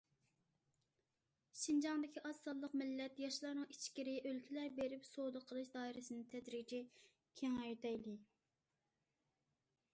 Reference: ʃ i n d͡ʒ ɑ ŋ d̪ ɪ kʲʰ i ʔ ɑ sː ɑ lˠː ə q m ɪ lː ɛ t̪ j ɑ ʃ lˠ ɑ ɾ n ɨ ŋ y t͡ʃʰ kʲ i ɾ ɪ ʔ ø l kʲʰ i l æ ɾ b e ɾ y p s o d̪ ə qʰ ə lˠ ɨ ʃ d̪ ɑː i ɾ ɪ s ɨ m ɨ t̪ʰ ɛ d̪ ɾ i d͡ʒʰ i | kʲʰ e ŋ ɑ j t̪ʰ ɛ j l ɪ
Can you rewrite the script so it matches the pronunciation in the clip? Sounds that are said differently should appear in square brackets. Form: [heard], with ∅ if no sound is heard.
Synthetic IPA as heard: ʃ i n d͡ʒ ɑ ŋ d̪ ɪ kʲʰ i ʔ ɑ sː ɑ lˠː ə q m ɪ lː ɛ t̪ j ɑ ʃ lˠ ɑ ɾ n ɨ ŋ [i] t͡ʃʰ kʲ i ɾ ɪ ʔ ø l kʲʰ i l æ ɾ b e ɾ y p s o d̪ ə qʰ ə lˠ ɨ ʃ d̪ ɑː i ɾ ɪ s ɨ [n] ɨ t̪ʰ ɛ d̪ ɾ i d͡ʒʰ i | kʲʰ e ŋ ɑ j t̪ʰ ɛ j l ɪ